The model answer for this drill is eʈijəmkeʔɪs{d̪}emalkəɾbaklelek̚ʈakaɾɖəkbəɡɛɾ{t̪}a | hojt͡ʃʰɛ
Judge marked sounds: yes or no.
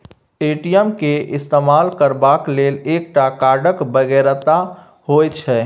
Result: no, yes

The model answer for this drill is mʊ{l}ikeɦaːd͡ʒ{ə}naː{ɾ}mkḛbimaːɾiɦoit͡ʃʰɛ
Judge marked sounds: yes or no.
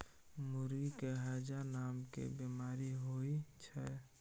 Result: no, no, no

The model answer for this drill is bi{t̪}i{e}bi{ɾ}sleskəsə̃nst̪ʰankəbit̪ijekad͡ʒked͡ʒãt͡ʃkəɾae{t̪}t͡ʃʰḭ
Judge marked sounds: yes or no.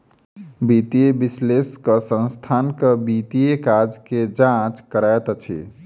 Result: yes, yes, no, yes

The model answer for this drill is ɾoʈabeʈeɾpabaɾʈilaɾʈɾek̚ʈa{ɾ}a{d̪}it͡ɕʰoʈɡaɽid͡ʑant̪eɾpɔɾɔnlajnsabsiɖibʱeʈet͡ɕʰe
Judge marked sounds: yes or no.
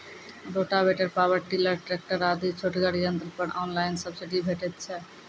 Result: yes, yes

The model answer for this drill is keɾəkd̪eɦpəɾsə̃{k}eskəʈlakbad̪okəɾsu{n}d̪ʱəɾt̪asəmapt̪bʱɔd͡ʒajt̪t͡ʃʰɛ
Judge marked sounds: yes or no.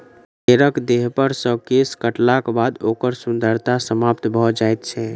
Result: yes, yes

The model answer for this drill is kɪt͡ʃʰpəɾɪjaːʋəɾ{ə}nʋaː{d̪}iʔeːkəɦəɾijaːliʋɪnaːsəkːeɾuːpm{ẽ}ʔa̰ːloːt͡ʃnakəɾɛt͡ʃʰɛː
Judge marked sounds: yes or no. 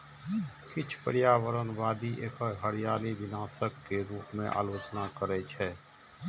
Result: yes, yes, yes

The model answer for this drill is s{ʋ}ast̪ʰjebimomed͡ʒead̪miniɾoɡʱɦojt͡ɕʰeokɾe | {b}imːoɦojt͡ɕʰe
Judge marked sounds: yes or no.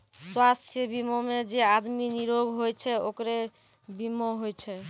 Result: no, yes

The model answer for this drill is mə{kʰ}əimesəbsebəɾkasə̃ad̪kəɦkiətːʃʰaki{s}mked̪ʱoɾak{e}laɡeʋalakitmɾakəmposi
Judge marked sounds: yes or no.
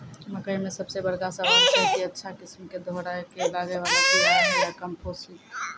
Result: no, yes, yes

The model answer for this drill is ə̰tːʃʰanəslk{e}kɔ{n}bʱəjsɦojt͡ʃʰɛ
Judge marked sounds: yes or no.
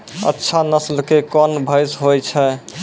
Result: yes, yes

